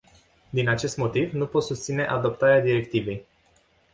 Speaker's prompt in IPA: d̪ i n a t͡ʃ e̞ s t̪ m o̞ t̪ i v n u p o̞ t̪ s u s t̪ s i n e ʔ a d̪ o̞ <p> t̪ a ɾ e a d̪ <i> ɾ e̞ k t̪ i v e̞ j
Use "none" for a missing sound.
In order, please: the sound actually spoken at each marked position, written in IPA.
p, i

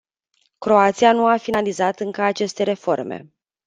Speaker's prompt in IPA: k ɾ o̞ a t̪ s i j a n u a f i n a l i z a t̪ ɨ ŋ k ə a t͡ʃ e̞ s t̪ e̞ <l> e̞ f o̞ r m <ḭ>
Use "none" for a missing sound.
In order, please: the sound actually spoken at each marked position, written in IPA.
ɾ, ḛ

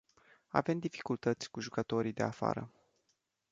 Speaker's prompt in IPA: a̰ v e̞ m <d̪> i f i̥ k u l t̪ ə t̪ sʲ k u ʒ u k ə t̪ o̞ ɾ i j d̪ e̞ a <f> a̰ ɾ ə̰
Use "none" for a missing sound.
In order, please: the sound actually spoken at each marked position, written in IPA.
d̪, f

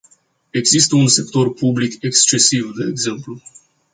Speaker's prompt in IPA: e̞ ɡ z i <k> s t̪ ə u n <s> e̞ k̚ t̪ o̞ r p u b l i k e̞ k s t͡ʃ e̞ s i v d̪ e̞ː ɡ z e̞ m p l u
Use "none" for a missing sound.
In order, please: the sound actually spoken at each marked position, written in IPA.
none, s

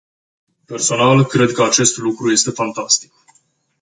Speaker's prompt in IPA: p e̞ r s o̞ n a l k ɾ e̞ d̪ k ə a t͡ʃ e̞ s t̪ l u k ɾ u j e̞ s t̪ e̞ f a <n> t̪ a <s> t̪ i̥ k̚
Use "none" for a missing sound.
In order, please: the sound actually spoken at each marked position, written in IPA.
n, s

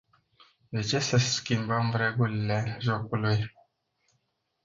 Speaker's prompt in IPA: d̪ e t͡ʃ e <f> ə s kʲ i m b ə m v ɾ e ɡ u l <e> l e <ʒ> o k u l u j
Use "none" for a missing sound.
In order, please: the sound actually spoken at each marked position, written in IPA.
s, i, ʒ

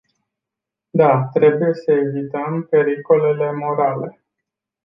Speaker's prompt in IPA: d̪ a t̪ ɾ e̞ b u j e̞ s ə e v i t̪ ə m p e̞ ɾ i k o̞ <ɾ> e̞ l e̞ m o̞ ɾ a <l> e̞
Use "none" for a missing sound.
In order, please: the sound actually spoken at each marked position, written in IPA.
l, l

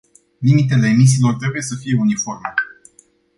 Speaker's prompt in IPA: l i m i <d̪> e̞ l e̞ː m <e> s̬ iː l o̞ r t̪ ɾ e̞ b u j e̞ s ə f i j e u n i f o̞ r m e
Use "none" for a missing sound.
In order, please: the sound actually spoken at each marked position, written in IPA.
t̪, i

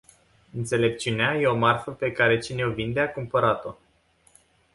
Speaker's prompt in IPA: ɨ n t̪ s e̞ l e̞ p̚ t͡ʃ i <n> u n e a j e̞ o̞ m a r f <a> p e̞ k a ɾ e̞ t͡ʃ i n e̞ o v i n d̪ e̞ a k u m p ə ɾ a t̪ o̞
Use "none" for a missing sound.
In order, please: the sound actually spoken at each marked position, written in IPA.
none, ə

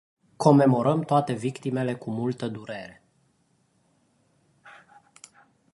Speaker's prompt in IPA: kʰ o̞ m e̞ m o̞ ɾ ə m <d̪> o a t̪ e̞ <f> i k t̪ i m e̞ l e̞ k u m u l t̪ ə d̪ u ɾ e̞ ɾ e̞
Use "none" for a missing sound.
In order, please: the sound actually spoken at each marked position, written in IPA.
t̪, v

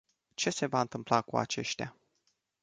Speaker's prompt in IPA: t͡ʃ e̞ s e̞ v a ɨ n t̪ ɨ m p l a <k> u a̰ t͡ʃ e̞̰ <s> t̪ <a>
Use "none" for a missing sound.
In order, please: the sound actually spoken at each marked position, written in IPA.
k, ʃ, a

